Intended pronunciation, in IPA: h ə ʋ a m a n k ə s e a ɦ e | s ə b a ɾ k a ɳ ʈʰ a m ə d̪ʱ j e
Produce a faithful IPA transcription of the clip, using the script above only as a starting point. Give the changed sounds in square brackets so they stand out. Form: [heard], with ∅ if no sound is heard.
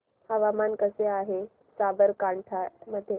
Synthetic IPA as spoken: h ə ʋ a m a n k ə s e a ɦ e | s [a] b [ə] ɾ k a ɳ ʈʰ a m ə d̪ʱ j e